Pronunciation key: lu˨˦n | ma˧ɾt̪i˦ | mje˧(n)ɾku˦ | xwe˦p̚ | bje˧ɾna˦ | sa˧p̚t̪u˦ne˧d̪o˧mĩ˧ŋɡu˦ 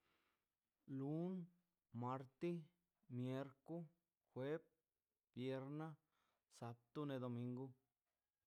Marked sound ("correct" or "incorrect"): incorrect